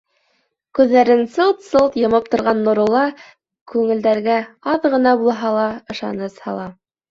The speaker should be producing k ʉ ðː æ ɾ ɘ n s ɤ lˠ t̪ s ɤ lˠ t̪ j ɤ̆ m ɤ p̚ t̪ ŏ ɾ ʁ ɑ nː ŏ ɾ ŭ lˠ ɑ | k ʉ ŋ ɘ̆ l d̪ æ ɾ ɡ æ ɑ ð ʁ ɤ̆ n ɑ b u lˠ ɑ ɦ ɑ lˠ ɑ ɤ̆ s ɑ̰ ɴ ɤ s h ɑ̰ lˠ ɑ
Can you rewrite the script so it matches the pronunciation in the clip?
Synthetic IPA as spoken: k ʉ ðː æ ɾ ɘ n s ɤ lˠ t̪ s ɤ lˠ t̪ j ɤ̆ m ɤ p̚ t̪ ŏ ɾ ʁ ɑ nː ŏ ɾ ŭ lˠ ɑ | k ʉ ŋ ɘ̆ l d̪ æ ɾ ɡ æ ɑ ð ʁ ɤ̆ n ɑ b u lˠ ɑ ɦ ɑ lˠ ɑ ɤ̆ ʃ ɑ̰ n ɤ s h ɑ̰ lˠ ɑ